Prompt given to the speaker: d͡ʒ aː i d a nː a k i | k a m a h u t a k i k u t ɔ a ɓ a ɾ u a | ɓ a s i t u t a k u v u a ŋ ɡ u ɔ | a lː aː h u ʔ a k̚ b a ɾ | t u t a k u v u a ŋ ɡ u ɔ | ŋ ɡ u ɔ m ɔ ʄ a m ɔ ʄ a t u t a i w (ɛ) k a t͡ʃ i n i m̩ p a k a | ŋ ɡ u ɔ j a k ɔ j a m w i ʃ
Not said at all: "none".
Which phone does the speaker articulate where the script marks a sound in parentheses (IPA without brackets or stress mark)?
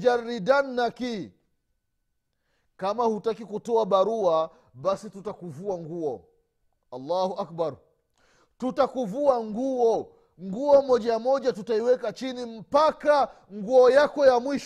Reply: ɛ